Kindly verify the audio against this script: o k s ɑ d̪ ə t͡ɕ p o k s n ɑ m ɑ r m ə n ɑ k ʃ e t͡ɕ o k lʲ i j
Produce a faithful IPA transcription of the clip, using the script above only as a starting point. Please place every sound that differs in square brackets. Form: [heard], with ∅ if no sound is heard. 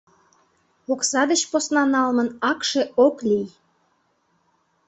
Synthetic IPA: o k s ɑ d̪ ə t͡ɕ p o [∅] s n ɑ [n] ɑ [l] m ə n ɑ k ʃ e [∅] o k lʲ i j